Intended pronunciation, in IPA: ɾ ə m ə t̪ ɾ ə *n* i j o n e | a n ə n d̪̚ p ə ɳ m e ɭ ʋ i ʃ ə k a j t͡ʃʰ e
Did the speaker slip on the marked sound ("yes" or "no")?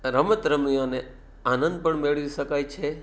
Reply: yes